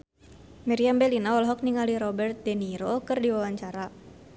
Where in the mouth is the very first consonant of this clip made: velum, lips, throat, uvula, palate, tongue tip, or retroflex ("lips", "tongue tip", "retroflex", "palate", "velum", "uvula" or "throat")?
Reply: lips